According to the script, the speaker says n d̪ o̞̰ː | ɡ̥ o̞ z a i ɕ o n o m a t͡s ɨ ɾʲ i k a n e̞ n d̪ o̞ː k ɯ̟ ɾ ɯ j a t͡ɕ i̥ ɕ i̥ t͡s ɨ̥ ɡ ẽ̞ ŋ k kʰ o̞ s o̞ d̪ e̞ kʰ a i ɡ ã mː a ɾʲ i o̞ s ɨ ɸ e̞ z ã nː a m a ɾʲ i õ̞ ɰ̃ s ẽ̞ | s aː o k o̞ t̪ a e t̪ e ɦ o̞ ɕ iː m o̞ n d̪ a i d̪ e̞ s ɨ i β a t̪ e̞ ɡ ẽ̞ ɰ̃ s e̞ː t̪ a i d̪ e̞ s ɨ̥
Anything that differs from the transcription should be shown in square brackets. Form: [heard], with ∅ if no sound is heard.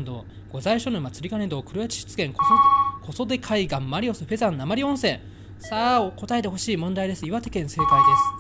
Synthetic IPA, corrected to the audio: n d̪ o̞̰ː | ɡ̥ o̞ z a i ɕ o n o m a t͡s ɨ ɾʲ i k a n e̞ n d̪ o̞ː k ɯ̟ ɾ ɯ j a t͡ɕ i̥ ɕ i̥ t͡s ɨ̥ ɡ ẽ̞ ŋ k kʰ o̞ s o̞ d̪ e̞ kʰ a i ɡ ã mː a ɾʲ i o̞ s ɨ ɸ e̞ z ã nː a m a ɾʲ i õ̞ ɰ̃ s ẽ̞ | s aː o k o̞ t̪ a e t̪ e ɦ o̞ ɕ iː m [õ̞] n d̪ a i d̪ e̞ s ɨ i β a t̪ e̞ [k] ẽ̞ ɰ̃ s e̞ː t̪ a i d̪ e̞ s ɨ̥